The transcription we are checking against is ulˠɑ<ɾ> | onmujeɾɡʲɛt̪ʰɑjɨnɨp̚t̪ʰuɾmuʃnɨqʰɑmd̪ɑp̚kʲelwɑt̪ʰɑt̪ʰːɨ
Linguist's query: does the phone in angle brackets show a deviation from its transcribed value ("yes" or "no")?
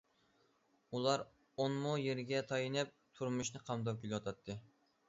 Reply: no